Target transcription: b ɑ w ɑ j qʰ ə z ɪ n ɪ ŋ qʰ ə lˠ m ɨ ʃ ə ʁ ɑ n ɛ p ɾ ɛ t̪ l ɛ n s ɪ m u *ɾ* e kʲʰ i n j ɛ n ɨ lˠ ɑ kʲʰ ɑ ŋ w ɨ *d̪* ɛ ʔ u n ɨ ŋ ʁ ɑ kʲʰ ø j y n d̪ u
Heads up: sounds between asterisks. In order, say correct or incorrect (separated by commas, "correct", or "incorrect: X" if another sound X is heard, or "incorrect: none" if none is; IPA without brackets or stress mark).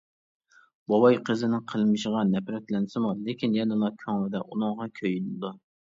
incorrect: l, correct